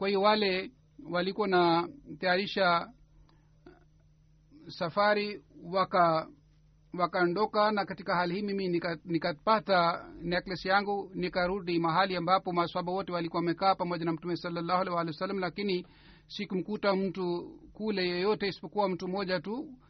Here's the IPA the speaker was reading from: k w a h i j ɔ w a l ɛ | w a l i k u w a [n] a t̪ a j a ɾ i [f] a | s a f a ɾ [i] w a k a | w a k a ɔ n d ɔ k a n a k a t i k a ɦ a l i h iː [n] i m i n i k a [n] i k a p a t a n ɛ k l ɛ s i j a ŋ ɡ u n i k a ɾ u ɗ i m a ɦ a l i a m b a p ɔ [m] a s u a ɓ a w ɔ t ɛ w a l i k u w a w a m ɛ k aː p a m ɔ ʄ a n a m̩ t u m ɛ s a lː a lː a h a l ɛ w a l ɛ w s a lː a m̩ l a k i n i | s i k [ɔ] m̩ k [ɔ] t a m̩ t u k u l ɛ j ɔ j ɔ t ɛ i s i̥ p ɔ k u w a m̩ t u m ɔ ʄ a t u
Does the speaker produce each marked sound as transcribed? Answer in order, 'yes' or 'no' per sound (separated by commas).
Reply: yes, no, yes, no, yes, yes, no, no